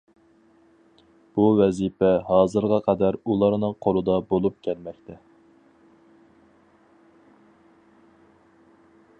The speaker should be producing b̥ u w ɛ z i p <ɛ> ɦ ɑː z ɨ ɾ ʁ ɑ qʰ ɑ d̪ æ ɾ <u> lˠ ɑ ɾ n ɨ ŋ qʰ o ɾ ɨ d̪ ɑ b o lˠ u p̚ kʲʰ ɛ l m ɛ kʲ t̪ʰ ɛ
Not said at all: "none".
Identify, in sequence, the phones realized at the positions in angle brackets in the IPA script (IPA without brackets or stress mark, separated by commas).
ɛ, u